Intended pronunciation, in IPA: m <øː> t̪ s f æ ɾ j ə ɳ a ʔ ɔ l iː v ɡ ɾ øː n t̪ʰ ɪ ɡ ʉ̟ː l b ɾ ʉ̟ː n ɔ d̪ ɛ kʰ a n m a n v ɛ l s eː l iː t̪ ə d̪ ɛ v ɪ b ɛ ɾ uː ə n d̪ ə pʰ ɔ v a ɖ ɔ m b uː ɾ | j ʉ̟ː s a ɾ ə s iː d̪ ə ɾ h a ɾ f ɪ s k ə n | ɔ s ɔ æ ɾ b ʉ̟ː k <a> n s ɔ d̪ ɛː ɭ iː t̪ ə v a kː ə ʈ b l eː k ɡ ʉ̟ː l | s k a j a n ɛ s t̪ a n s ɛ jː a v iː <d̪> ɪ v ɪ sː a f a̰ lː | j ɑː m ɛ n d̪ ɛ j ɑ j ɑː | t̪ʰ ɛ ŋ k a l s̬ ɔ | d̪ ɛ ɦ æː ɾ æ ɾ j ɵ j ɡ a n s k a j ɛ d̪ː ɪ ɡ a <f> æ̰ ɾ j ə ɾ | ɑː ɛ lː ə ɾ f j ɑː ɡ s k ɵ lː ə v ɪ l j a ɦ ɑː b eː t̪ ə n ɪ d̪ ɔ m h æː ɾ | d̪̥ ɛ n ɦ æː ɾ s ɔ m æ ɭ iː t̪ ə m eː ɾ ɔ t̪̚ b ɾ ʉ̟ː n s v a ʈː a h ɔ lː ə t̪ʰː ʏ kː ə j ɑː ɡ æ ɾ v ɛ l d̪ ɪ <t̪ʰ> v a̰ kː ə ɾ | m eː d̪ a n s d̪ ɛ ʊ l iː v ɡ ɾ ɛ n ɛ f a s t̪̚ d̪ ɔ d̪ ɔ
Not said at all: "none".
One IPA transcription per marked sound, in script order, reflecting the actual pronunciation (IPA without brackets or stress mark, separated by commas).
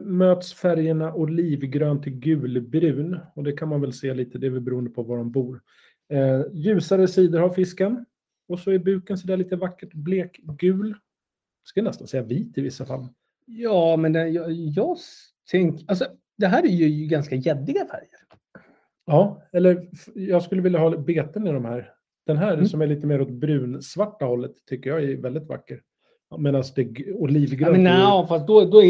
øː, ə, t̪, f, t̪